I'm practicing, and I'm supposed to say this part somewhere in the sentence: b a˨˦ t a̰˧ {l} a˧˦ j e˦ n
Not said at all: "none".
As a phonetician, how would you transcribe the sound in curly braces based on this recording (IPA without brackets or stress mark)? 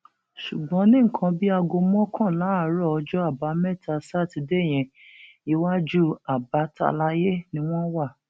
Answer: l